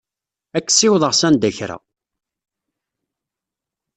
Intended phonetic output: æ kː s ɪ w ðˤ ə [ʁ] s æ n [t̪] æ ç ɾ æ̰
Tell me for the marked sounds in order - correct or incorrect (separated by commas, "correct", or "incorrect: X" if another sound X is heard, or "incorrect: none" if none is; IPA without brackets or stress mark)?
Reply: correct, incorrect: d̪